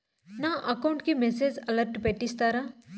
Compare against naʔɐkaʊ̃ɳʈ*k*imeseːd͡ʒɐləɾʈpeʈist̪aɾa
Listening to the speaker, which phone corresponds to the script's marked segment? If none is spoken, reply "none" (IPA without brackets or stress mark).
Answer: k